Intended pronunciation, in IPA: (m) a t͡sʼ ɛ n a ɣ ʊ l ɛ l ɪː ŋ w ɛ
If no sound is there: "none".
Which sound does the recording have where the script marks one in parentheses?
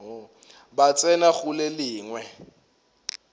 b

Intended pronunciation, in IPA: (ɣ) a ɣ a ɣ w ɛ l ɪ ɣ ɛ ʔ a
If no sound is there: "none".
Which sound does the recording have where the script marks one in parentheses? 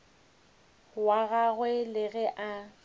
w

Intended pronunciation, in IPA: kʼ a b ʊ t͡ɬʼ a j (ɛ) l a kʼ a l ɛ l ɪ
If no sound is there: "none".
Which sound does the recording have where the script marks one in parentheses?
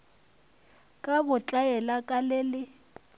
ɛ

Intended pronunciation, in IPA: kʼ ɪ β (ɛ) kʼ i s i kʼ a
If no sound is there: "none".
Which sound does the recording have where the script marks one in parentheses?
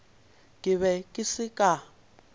ɛ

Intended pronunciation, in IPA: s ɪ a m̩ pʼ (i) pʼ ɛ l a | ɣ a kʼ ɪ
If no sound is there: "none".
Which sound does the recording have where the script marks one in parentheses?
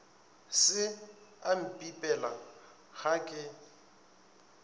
i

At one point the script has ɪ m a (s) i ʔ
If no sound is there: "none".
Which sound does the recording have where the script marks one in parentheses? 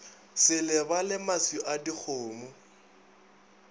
s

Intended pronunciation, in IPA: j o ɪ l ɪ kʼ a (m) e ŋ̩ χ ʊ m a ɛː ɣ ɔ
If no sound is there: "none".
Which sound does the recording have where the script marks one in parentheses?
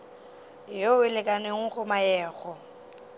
n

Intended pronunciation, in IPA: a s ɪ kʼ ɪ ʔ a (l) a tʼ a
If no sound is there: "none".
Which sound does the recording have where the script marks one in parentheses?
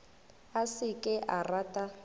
r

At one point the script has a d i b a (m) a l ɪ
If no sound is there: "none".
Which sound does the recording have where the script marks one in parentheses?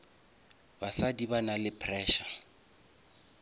n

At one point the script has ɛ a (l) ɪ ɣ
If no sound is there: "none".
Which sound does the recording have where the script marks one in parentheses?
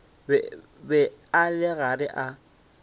l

